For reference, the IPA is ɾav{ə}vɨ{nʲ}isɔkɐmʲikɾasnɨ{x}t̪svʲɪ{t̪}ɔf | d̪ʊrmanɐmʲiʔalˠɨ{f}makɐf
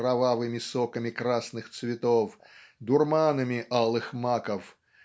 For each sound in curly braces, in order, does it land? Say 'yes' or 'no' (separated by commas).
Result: no, no, yes, yes, no